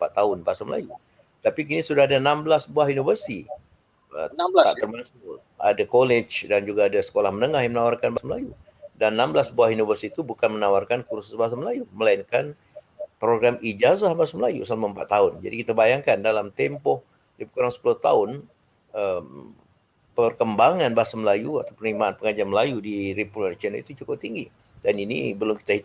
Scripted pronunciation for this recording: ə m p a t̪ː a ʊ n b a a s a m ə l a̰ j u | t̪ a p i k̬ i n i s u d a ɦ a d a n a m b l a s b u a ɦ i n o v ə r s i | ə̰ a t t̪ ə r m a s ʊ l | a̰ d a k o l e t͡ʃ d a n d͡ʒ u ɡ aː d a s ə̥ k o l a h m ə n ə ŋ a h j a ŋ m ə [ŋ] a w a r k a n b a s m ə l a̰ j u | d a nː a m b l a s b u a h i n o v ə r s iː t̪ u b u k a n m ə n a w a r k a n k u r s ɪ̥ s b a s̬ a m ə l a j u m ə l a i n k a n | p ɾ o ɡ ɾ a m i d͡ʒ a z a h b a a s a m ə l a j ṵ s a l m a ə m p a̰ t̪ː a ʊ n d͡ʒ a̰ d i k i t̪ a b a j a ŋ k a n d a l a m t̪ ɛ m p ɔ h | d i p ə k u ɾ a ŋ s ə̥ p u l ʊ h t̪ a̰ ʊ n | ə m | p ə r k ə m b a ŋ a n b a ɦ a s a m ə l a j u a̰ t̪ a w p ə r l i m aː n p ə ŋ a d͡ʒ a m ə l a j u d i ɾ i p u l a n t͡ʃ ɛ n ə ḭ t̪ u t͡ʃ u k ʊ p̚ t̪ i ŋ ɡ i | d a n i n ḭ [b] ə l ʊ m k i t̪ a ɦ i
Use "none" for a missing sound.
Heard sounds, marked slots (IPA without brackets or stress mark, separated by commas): n, b